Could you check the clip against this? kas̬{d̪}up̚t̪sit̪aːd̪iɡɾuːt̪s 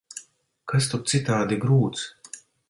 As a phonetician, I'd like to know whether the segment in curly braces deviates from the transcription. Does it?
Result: yes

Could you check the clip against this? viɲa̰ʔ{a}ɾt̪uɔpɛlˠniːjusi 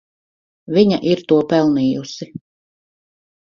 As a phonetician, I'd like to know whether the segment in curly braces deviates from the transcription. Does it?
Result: yes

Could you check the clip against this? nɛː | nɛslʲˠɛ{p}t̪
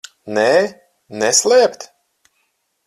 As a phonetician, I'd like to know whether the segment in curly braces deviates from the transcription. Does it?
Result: no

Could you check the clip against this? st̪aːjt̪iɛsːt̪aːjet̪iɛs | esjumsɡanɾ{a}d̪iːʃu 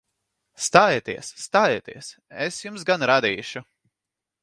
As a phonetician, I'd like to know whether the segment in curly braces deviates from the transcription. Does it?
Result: no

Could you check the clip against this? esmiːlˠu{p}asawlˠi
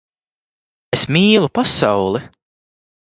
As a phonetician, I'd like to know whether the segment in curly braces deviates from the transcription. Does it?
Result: no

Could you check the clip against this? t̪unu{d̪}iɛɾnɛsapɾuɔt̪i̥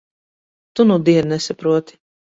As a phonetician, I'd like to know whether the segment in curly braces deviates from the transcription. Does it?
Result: no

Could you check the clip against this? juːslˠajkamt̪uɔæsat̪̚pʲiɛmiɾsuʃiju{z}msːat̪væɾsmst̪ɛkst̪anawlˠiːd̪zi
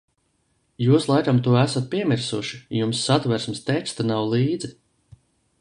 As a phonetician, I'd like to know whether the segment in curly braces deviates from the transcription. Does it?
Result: yes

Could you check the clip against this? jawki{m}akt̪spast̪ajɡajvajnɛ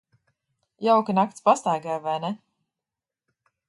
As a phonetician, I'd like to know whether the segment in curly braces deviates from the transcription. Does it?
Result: yes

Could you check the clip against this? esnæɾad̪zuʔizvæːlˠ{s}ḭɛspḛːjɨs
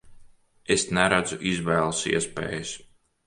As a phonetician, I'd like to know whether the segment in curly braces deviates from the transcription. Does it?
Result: no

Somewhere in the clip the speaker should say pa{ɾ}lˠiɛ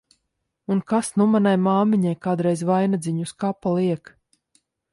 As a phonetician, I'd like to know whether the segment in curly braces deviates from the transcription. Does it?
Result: yes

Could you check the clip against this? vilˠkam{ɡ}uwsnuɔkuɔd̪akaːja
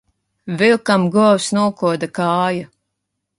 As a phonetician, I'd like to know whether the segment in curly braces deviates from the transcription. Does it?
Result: no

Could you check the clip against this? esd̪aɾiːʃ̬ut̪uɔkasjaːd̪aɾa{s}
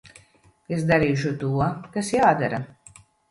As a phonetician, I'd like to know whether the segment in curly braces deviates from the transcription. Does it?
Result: yes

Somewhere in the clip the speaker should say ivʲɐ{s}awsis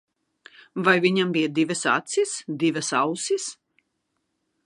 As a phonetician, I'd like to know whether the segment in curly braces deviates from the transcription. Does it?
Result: no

